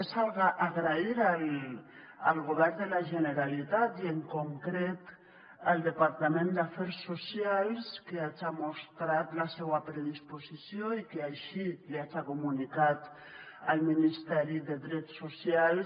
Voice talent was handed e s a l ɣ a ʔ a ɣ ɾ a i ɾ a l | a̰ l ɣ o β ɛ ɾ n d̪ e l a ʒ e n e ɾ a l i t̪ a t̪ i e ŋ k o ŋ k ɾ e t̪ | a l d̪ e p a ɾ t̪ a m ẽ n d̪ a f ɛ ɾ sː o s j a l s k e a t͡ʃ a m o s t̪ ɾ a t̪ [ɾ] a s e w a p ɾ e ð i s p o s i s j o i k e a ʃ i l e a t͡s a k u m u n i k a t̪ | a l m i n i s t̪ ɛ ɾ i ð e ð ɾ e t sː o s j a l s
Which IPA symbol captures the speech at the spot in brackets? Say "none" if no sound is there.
l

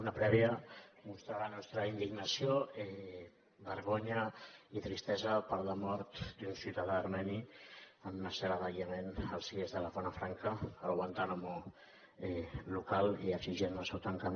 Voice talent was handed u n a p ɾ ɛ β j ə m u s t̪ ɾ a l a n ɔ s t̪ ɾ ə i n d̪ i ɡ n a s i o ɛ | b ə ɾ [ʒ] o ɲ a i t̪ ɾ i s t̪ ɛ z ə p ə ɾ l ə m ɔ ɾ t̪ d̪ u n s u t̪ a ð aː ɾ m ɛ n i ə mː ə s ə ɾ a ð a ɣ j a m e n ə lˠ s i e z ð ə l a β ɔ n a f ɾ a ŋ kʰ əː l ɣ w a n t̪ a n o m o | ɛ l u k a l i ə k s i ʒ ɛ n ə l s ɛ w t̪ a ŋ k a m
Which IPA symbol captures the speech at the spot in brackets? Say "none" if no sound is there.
ɣ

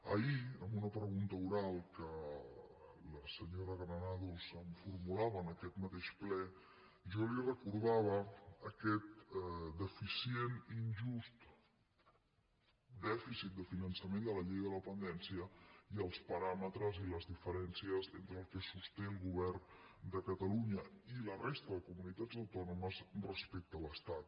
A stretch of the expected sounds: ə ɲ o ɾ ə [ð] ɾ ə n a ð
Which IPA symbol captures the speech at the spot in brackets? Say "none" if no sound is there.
ɣ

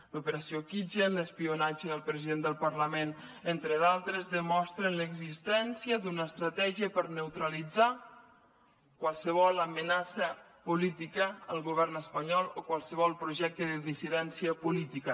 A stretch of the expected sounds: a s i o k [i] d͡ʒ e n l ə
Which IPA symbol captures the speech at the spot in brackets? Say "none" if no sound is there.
i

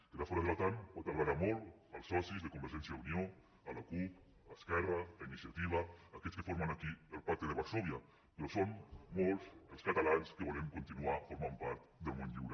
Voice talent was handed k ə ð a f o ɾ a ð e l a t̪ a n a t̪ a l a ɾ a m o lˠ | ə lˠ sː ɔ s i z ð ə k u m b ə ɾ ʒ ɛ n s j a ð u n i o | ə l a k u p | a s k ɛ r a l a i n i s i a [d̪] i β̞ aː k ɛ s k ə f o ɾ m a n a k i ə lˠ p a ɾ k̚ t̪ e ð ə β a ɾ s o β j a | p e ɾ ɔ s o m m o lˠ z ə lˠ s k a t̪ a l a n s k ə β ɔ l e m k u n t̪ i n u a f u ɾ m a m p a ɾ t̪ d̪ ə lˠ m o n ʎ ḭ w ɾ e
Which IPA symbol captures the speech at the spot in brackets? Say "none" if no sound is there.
t̪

